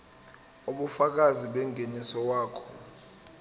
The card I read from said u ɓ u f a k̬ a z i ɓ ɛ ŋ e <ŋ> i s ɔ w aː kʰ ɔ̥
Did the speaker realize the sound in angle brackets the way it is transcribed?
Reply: no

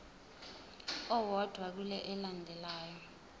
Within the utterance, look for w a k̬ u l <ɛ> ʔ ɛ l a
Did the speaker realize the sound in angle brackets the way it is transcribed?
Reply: yes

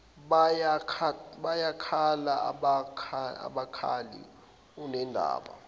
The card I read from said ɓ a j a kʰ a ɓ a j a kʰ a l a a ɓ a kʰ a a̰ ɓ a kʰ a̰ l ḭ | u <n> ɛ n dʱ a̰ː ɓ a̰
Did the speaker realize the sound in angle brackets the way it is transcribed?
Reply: yes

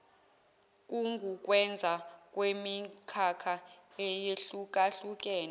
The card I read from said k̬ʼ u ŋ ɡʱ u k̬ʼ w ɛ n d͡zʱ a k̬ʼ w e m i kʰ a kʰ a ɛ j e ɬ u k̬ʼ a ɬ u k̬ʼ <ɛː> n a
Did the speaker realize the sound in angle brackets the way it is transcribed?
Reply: yes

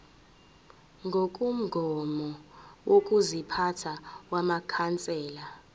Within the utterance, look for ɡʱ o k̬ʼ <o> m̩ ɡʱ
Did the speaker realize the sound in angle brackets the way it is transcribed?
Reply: no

